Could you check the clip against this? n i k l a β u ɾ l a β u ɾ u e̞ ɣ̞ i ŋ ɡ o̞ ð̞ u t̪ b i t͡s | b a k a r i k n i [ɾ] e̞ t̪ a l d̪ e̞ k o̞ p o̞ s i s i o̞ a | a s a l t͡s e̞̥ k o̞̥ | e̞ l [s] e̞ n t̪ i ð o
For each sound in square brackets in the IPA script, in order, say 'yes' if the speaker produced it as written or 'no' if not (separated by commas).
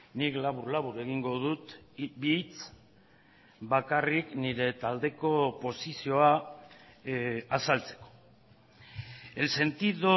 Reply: yes, yes